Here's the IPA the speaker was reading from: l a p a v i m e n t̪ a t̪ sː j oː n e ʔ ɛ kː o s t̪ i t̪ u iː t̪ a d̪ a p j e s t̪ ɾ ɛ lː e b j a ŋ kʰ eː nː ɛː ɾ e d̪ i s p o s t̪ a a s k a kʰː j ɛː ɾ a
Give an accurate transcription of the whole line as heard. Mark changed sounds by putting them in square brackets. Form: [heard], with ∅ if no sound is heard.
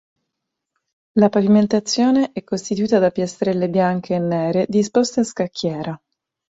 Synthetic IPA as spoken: l a p a v i m e n t̪ a t̪ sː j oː n e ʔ ɛ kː o s t̪ i t̪ u iː t̪ a d̪ a p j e s t̪ ɾ ɛ lː e b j a ŋ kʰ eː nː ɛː ɾ e d̪ i s p o s t̪ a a s k a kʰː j ɛː ɾ a